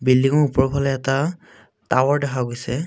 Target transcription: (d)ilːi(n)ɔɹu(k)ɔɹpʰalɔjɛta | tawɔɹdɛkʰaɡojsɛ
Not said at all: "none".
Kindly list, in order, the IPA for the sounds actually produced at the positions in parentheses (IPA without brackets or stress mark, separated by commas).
b, ŋ, p